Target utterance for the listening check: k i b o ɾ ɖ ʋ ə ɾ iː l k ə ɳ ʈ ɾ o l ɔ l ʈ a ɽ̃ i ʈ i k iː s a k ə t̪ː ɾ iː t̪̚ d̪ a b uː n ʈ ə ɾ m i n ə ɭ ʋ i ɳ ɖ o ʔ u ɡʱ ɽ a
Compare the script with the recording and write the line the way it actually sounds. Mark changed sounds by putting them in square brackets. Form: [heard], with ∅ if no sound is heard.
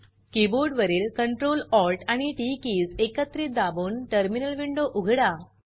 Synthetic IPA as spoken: k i b o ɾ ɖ ʋ ə ɾ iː l k ə ɳ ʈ ɾ o l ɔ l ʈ a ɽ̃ i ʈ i k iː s [e] k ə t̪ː ɾ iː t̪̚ d̪ a b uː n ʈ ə ɾ m i n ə [l] ʋ i ɳ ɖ o ʔ u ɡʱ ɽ a